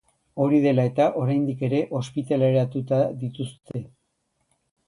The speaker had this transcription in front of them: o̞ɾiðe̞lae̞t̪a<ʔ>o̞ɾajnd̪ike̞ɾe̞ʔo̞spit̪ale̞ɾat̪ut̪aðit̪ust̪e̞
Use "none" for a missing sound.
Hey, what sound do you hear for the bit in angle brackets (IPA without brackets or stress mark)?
ʔ